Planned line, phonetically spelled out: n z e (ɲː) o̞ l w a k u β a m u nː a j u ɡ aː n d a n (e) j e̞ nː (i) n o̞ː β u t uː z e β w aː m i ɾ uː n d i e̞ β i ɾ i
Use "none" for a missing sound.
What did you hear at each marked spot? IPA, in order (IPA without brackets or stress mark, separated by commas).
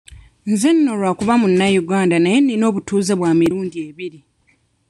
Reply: nː, a, i